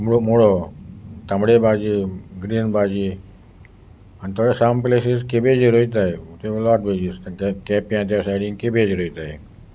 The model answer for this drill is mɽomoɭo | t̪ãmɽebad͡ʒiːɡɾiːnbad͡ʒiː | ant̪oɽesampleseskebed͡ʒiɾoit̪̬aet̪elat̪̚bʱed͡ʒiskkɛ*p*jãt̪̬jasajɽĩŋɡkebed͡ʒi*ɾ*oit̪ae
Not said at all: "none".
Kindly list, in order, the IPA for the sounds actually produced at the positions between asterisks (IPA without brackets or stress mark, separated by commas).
p, ɾ